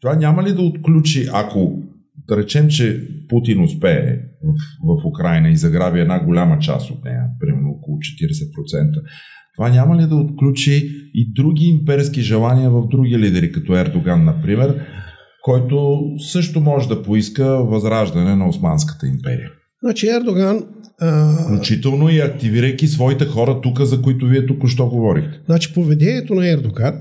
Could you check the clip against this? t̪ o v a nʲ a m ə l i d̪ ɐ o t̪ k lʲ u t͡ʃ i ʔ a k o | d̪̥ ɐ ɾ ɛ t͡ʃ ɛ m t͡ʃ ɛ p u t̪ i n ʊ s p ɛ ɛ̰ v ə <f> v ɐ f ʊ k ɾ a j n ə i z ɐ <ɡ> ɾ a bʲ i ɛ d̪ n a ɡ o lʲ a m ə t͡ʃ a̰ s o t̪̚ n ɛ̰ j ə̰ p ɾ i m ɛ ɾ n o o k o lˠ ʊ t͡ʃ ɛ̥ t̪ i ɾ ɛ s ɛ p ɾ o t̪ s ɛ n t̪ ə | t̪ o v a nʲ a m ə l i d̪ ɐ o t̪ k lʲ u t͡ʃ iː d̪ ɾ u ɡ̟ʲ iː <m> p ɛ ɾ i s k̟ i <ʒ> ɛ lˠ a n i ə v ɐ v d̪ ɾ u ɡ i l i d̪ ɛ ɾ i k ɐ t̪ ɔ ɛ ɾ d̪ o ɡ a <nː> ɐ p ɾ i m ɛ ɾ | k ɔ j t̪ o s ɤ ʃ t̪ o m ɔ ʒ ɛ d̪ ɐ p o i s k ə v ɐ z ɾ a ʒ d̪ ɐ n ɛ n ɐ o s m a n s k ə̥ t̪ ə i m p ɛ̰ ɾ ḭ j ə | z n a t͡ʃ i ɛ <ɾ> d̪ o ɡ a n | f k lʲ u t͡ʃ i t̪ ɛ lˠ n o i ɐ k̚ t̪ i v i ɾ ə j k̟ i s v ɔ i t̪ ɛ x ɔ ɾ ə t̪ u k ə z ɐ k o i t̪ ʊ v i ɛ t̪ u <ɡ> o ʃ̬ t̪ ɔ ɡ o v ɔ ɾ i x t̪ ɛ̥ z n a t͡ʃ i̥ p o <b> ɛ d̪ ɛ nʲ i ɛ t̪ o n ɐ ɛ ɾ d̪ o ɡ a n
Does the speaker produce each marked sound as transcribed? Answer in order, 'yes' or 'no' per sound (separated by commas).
yes, yes, yes, yes, yes, yes, no, no